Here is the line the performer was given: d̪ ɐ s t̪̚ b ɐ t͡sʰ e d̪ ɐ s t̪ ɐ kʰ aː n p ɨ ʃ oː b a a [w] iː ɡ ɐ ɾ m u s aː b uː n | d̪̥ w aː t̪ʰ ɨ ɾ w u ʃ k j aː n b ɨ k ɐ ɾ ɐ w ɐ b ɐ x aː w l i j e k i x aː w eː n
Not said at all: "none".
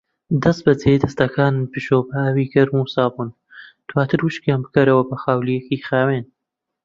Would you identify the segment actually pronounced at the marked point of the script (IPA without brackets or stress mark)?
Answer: w